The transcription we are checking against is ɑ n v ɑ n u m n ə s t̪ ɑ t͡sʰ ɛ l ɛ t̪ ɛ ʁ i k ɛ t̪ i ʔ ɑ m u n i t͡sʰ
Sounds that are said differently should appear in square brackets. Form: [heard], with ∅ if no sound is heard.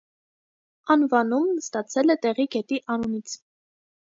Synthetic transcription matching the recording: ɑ n v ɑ n u m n ə s t̪ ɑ t͡sʰ ɛ l ɛ t̪ ɛ ʁ i [ɡ] ɛ t̪ i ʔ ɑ [n] u n i t͡sʰ